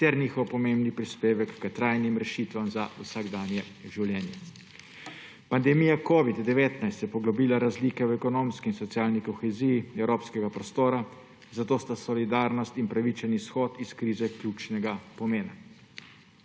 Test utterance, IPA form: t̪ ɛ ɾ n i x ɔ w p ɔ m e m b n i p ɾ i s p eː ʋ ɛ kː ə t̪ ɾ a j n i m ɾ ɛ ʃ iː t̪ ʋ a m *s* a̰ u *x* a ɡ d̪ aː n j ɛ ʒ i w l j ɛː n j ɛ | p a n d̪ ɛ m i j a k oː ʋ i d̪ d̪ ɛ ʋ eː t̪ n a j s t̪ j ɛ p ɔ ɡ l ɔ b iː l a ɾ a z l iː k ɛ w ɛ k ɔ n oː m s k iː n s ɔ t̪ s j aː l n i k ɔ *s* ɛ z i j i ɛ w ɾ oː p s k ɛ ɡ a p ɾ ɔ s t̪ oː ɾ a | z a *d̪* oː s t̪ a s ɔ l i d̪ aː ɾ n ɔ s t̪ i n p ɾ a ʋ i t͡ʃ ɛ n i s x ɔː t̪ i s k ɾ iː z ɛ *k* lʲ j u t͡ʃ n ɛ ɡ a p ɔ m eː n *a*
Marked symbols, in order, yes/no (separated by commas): no, no, no, no, yes, yes